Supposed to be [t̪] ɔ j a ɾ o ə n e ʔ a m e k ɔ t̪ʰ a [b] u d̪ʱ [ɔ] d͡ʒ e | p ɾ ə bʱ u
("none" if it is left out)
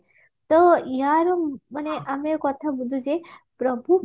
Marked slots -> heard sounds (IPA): t̪, b, u

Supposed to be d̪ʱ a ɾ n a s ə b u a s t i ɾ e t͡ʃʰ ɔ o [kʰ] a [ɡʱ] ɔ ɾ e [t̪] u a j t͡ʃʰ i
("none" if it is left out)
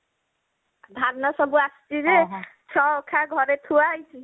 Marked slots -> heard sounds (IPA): kʰ, ɡʱ, t̪ʰ

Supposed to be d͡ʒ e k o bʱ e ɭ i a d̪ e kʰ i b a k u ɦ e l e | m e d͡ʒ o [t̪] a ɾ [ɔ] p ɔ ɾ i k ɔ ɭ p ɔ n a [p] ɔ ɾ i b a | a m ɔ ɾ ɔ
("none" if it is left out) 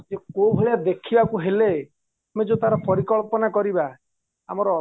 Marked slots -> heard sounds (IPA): t̪, ɔ, k

